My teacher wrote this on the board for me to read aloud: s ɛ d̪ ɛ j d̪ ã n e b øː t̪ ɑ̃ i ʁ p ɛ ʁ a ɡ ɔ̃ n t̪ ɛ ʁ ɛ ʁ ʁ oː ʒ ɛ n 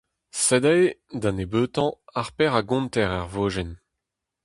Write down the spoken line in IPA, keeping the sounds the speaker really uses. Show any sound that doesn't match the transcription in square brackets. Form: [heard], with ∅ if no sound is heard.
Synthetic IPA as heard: s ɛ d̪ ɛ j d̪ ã n e b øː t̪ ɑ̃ [a] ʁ p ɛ ʁ a ɡ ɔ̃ n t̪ ɛ ʁ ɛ ʁ [v] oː ʒ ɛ n

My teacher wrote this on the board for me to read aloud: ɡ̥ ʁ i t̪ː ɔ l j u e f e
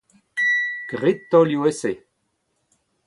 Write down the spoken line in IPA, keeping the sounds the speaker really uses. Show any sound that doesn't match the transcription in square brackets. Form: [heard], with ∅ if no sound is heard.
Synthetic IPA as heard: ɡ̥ ʁ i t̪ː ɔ l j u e [s] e

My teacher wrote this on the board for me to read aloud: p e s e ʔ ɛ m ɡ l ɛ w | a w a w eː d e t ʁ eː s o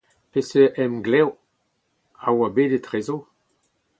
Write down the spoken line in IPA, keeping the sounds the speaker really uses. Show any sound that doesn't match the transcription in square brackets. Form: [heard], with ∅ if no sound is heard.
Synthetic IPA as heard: p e s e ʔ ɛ m ɡ l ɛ w | a w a [b] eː d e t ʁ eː [z] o

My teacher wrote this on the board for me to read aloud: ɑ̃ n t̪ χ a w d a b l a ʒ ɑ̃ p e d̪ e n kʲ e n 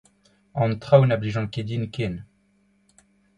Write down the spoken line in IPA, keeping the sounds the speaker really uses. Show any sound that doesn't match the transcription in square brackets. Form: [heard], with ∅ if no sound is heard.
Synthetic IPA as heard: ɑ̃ n t̪ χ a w [n] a b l [i] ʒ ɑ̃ [k] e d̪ [i] n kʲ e n

